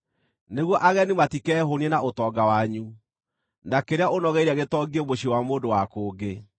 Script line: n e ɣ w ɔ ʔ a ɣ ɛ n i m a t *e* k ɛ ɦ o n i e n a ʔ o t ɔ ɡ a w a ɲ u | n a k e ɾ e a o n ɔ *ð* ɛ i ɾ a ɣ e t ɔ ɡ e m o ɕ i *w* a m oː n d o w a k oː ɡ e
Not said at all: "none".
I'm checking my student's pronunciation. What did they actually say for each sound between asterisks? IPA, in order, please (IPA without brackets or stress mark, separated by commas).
i, ɣ, w